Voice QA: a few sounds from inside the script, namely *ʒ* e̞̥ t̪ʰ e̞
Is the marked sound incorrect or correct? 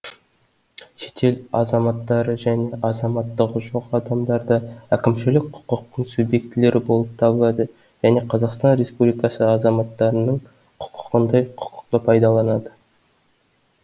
incorrect